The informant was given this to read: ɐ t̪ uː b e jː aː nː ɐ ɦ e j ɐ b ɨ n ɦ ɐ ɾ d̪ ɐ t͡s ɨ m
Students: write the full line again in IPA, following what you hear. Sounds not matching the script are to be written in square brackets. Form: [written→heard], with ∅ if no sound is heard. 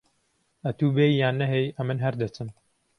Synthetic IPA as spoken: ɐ t̪ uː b e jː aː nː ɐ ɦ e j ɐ [b→m] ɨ n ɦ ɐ ɾ d̪ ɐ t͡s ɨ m